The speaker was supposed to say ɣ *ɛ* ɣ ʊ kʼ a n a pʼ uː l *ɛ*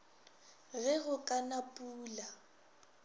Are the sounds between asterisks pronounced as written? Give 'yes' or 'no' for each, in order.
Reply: yes, no

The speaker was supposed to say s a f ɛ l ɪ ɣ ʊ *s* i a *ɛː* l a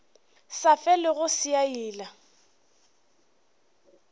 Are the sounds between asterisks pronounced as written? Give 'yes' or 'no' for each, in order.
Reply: yes, no

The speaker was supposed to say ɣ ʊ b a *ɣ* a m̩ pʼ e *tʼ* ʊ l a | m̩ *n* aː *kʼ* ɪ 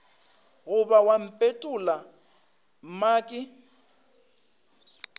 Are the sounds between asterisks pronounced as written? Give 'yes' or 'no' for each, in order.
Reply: no, yes, no, yes

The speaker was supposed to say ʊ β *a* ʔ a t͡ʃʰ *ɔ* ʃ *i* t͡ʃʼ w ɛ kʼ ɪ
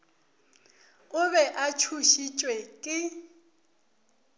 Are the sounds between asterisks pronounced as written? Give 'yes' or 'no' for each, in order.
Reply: no, no, yes

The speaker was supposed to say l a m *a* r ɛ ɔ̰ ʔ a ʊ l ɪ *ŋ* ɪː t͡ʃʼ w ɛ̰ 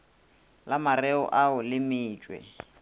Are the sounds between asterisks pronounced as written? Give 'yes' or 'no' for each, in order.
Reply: yes, no

